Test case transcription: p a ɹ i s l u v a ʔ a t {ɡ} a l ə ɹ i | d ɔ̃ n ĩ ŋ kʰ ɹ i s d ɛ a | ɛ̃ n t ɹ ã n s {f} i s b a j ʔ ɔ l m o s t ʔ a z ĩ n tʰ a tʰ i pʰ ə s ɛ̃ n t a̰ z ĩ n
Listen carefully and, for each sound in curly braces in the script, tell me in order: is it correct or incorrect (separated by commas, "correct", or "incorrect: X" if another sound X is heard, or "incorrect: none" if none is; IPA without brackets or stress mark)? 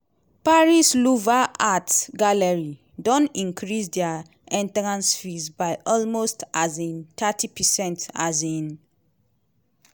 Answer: correct, correct